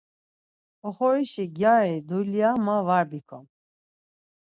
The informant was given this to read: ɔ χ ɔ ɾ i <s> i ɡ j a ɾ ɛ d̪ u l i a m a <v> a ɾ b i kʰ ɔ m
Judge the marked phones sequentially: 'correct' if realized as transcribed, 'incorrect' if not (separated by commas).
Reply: incorrect, correct